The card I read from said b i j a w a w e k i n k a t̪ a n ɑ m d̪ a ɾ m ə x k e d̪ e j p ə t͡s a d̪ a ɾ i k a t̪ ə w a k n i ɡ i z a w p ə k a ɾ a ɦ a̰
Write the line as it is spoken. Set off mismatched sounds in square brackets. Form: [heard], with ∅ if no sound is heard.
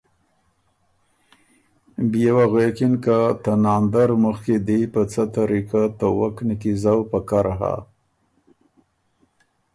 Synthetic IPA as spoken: b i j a w a [ɣ] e k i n k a t̪ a n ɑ [n] d̪ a ɾ m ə x k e d̪ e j p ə t͡s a [t̪] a ɾ i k a t̪ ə w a k n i [k] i z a w p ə k a ɾ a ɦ a̰